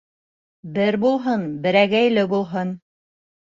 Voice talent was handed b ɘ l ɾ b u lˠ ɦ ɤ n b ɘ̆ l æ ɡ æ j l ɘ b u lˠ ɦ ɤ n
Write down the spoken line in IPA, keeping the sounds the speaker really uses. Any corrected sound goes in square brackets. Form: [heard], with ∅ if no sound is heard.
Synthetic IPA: b ɘ [∅] ɾ b u lˠ ɦ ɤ n b ɘ̆ [ɾ] æ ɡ æ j l ɘ b u lˠ ɦ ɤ n